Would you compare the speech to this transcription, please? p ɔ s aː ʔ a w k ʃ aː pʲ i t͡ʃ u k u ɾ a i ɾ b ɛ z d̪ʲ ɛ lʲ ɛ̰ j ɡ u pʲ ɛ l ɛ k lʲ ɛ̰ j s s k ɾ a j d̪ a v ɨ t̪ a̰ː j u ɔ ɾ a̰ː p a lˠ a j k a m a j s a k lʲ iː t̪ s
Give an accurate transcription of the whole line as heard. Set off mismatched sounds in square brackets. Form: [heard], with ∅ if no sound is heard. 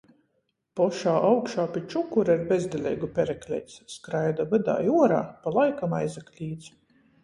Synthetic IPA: p ɔ [ʃ] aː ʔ a w k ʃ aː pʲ i t͡ʃ u k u ɾ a i ɾ b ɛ z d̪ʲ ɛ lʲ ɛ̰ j ɡ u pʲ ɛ [ɾ] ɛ k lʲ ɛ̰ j s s k ɾ a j d̪ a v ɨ [d̪] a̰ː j u ɔ ɾ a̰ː p a lˠ a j k a m a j [z] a k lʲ iː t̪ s

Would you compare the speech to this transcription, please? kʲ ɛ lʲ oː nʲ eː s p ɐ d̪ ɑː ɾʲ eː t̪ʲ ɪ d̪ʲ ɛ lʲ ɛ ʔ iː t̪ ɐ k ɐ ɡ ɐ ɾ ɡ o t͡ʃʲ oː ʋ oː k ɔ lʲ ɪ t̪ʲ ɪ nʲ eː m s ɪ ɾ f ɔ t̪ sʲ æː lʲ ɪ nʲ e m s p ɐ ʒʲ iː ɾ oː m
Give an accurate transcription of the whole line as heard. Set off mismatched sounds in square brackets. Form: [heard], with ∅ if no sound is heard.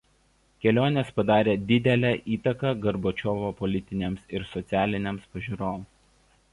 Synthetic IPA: kʲ ɛ lʲ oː nʲ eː s p ɐ d̪ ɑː ɾʲ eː [d̪ʲ] ɪ d̪ʲ ɛ lʲ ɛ ʔ iː t̪ ɐ k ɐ ɡ ɐ ɾ [b] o t͡ʃʲ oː ʋ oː [p] ɔ lʲ ɪ t̪ʲ ɪ nʲ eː m s ɪ ɾ [s] ɔ t̪ sʲ æː lʲ ɪ nʲ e m s p ɐ ʒʲ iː ɾ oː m

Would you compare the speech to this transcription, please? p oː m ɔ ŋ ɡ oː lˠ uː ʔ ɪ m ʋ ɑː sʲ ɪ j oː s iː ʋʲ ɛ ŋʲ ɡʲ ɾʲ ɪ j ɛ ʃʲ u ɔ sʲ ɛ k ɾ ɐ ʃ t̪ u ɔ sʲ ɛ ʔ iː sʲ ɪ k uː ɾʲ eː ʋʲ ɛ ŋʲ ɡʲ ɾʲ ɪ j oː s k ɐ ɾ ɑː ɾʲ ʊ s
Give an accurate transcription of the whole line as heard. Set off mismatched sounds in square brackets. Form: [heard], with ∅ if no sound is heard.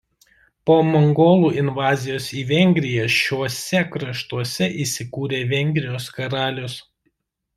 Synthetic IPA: p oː m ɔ ŋ ɡ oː lˠ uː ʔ ɪ [n] ʋ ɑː [zʲ] ɪ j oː s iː ʋʲ ɛ ŋʲ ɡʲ ɾʲ ɪ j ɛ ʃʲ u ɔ sʲ ɛ k ɾ ɐ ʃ t̪ u ɔ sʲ ɛ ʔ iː sʲ ɪ k uː ɾʲ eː ʋʲ ɛ ŋʲ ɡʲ ɾʲ ɪ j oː s k ɐ ɾ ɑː [lʲ] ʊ s

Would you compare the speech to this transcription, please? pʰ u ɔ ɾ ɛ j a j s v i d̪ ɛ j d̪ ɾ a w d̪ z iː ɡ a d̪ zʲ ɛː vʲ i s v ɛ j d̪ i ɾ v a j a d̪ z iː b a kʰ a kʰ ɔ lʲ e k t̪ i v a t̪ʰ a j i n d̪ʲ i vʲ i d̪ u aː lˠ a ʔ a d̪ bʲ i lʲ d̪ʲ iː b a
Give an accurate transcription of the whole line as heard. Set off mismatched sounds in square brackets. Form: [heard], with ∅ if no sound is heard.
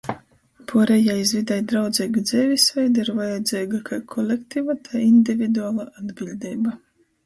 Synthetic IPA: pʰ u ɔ ɾ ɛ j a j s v i d̪ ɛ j d̪ ɾ a w d̪ z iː ɡ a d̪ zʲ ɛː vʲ i s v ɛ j d̪ i ɾ v a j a d̪ z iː [ɡ] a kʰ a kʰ ɔ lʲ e k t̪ i v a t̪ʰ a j i n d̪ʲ i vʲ i d̪ u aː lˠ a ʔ a d̪ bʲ i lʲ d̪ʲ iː b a

